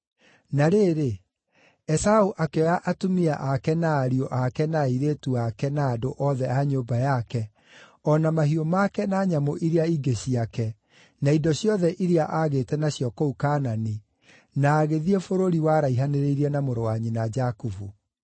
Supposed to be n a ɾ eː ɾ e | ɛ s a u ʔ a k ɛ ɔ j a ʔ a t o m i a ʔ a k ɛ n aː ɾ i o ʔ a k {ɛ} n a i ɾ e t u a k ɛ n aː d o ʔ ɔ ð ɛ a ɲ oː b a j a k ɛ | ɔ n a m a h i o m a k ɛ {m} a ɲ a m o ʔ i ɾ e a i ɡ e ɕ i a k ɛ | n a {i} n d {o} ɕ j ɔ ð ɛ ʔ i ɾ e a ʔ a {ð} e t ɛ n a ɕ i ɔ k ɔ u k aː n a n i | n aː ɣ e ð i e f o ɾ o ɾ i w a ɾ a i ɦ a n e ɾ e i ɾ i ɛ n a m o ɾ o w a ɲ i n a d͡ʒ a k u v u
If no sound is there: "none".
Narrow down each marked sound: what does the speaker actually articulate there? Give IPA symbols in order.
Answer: ɛ, n, i, ɔ, ɣ

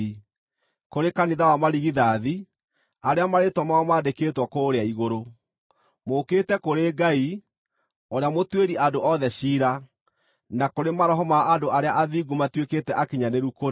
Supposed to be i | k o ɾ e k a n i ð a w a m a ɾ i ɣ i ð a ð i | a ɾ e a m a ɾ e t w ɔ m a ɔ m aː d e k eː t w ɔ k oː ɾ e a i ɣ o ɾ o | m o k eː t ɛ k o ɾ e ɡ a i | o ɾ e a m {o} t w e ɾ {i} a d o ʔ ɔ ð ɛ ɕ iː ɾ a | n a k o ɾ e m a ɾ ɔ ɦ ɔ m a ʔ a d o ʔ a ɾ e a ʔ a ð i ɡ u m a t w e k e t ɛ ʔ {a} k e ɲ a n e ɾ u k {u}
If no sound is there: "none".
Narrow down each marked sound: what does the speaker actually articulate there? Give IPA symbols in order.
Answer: o, i, a, o

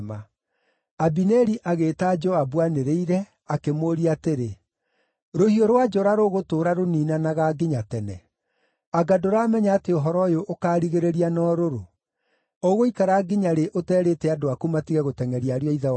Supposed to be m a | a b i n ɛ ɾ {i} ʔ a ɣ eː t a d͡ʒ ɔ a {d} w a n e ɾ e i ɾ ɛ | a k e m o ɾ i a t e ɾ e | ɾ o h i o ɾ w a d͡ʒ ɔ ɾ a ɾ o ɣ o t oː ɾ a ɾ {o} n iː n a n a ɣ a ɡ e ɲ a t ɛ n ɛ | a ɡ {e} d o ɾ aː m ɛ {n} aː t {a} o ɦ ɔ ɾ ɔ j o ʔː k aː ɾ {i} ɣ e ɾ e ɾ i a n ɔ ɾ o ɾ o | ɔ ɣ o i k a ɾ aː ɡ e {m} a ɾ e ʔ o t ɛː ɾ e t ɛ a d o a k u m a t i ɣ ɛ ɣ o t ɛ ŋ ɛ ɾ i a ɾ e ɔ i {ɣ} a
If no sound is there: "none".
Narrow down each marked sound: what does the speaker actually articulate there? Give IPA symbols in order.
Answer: i, b, o, a, ɲ, e, i, ɲ, ð

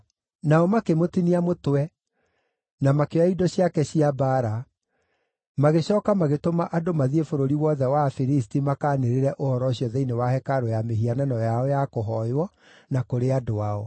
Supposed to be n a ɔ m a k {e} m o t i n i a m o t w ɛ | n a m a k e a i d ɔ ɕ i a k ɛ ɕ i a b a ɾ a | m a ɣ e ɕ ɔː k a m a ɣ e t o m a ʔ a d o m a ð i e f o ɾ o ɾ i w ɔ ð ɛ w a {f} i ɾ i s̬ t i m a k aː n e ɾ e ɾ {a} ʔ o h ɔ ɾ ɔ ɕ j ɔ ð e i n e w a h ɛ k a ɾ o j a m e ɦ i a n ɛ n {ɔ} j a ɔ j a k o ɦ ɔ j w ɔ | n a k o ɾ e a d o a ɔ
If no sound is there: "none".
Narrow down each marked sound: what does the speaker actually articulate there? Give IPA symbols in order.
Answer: e, f, ɛ, ɔ

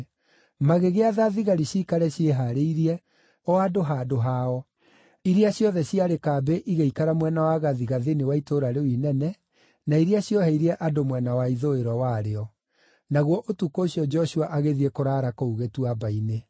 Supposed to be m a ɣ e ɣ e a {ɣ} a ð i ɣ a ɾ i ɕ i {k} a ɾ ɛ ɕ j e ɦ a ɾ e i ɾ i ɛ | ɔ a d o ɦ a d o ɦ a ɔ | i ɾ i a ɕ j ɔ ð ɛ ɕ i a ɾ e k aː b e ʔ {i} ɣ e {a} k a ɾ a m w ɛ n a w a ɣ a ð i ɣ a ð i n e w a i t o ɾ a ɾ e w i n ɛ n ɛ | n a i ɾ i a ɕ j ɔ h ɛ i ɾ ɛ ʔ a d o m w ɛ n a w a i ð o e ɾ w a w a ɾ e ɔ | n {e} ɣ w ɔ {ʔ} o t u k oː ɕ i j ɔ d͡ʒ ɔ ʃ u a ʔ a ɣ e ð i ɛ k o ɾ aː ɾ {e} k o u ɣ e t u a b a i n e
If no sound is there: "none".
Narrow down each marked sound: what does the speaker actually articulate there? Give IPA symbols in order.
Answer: ð, k, i, i, a, ʔ, a

